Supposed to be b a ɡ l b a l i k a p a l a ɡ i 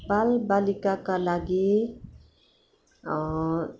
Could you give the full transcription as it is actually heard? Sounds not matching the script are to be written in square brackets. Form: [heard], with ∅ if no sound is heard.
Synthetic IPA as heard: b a [∅] l b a l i k a [k] a l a ɡ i

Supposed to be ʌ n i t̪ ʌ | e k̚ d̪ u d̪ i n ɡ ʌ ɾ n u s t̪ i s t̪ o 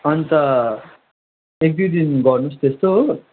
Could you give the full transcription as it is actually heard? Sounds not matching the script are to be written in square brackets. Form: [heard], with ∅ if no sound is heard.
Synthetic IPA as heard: ʌ n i t̪ ʌ | e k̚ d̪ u d̪ i n ɡ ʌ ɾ n u s t̪ [e] s t̪ o

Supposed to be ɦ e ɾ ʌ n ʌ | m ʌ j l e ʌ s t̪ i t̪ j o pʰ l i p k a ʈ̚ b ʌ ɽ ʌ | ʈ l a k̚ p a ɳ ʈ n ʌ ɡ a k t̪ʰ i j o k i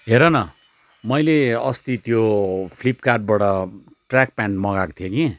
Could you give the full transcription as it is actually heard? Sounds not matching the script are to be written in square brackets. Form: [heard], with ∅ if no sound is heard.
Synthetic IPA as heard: ɦ e ɾ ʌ n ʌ | m ʌ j l e ʌ s t̪ i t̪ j o pʰ l i p k a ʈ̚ b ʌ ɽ ʌ | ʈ [r] a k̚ p a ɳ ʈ [m] ʌ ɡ a k t̪ʰ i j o k i

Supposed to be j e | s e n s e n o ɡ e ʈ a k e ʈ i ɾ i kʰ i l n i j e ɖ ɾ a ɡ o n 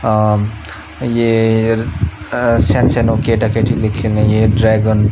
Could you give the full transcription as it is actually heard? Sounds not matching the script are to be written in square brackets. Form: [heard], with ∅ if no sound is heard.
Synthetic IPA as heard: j e | s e n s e n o [k] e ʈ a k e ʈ i [l] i kʰ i l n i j e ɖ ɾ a ɡ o n

